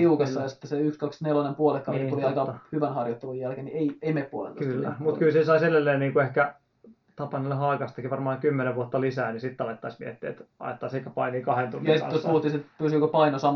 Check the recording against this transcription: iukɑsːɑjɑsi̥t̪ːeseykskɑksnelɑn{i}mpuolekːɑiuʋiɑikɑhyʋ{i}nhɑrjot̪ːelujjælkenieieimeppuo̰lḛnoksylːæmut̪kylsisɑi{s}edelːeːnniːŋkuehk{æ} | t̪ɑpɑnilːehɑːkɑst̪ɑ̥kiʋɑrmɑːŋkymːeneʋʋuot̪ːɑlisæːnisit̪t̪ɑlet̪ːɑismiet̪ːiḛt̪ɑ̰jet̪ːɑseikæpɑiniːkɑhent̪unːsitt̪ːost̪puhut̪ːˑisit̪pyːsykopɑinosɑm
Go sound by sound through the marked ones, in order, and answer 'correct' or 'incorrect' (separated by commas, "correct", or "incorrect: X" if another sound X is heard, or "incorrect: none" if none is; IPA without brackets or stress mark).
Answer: incorrect: e, incorrect: æ, correct, correct